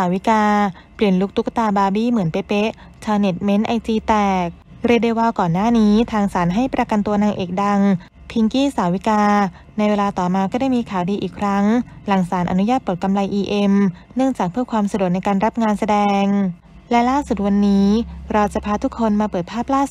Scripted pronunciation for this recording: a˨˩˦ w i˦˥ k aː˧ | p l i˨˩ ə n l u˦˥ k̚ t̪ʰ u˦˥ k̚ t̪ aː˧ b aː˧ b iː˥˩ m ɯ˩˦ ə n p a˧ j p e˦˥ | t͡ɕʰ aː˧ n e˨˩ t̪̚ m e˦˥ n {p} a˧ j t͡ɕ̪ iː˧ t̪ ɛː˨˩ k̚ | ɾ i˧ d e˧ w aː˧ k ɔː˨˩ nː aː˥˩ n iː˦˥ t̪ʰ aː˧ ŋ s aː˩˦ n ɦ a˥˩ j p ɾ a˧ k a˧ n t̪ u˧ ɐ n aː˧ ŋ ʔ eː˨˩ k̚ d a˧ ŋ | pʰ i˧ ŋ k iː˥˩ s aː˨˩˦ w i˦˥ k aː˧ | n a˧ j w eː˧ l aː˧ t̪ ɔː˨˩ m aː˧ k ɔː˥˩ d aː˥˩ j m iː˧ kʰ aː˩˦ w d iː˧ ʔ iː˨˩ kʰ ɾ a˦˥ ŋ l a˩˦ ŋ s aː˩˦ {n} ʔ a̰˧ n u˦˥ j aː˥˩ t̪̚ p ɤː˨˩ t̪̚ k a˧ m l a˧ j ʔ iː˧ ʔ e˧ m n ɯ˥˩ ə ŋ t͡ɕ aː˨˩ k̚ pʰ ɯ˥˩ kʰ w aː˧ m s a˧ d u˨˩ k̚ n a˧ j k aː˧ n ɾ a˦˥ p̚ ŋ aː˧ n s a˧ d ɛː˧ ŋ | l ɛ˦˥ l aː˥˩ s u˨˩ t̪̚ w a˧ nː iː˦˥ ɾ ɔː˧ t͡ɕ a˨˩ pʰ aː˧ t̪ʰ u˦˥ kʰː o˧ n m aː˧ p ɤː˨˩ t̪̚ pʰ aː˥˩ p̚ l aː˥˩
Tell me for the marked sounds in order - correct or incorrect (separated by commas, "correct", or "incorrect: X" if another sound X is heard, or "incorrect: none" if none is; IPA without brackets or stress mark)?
incorrect: ʔ, correct